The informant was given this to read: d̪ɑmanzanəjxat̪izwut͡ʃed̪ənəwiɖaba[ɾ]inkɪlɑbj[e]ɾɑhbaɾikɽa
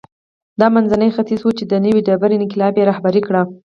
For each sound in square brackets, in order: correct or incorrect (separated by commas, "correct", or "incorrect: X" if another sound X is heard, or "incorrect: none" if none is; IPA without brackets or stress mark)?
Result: correct, correct